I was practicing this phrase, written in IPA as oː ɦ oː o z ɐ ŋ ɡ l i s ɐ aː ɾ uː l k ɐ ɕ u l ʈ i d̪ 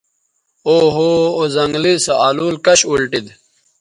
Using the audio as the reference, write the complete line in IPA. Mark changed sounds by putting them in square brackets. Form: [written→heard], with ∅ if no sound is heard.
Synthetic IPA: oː ɦ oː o z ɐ ŋ ɡ l i s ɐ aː [ɾ→l] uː l k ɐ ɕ u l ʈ i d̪